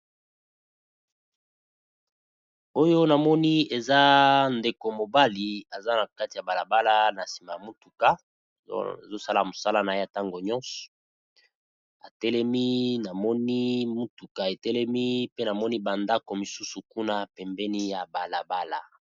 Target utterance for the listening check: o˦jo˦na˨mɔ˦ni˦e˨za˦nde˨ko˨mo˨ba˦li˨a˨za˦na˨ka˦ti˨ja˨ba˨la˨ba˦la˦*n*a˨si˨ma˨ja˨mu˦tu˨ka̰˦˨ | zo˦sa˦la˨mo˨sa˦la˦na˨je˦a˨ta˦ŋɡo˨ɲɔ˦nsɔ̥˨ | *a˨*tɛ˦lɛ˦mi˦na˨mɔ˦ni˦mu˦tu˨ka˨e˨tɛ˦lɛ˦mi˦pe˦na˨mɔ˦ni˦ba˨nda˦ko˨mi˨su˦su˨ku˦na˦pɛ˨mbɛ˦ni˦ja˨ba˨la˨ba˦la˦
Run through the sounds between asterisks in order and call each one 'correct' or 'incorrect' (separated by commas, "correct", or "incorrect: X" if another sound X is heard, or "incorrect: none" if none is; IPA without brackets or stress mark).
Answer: correct, correct